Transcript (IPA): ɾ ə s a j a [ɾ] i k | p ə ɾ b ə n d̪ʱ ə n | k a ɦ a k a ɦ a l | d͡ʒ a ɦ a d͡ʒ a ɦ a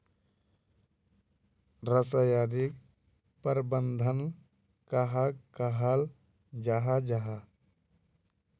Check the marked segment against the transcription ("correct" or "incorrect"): correct